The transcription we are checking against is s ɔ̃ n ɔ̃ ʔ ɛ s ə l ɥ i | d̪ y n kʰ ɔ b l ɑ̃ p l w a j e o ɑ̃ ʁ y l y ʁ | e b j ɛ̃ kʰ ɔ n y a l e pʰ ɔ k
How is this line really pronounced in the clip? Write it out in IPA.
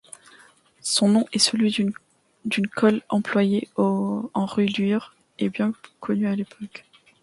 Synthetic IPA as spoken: s ɔ̃ n ɔ̃ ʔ ɛ s ə l ɥ i | d̪ y n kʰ ɔ l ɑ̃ p l w a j e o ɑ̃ ʁ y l y ʁ | e b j ɛ̃ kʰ ɔ n y a l e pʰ ɔ k